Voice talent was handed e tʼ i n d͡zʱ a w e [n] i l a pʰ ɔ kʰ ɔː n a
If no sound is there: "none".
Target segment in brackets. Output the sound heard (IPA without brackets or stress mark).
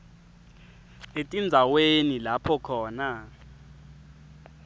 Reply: n